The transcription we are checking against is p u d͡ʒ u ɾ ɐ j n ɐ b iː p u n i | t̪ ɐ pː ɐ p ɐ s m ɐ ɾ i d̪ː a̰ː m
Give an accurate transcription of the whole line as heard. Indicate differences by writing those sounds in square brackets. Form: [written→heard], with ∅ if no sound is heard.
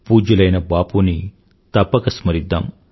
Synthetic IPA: p [u→uː] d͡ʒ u [ɾ→l] ɐ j n ɐ b [iː→aː] p u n i | t̪ ɐ pː ɐ [p→k] ɐ s m ɐ ɾ i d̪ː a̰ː m